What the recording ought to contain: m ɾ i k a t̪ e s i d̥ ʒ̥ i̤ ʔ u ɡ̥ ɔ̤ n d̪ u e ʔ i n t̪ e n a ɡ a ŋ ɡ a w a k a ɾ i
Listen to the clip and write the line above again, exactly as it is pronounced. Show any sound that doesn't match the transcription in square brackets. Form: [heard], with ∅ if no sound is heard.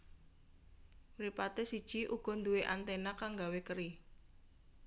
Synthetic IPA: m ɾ i [p] a t̪ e s i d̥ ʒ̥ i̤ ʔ u ɡ̥ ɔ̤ n d̪ u e ʔ [a] n t̪ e n a [k] a ŋ ɡ a w [e] k [ə] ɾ i